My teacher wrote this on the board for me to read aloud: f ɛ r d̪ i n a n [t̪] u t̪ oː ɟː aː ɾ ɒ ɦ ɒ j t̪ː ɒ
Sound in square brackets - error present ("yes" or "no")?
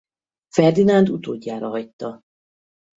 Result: yes